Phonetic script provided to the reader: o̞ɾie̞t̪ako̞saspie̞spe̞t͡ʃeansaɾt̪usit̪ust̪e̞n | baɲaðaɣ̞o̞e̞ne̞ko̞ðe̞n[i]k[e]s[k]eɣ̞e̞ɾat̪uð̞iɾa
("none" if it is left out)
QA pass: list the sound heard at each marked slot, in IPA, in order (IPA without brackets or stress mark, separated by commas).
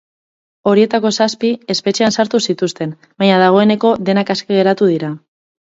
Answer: a, a, k